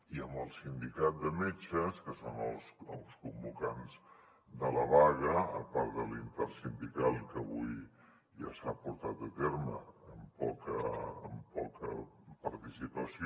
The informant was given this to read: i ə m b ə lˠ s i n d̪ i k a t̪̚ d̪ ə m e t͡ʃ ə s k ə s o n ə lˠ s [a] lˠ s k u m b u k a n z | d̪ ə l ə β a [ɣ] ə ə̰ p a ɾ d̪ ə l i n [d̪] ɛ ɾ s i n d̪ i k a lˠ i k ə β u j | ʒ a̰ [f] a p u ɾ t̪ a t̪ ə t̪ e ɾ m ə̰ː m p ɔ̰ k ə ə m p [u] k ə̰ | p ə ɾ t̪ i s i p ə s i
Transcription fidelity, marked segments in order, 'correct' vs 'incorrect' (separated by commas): incorrect, correct, incorrect, incorrect, incorrect